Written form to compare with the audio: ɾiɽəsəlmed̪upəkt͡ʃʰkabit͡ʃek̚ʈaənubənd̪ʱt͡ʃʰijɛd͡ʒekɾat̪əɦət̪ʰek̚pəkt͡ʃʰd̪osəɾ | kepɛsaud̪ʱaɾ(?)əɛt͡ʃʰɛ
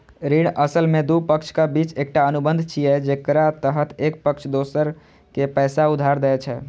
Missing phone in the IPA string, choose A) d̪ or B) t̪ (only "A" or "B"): A